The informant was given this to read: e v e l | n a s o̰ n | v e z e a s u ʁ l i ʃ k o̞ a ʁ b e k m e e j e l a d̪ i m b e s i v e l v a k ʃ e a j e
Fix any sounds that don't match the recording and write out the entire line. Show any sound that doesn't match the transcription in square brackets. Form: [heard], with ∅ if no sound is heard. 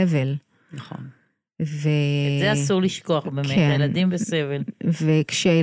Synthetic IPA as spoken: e v e l | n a [χ] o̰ n | v e z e a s u ʁ l i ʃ k o̞ a [χ] b e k m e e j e l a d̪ i m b e s [e] v e l v [e] k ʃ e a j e